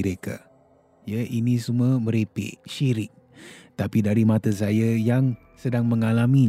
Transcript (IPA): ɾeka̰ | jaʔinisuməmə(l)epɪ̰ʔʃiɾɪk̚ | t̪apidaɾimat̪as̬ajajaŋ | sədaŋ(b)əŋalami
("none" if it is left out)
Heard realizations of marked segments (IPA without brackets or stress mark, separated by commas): ɾ, m